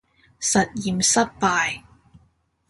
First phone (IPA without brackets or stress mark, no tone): s